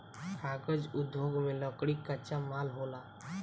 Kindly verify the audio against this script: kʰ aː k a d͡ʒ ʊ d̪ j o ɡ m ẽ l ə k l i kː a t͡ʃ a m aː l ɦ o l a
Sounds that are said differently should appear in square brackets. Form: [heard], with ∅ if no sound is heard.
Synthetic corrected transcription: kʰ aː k [ə] d͡ʒ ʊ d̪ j o ɡ m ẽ l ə k [ɽ] i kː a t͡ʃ a m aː l ɦ o l a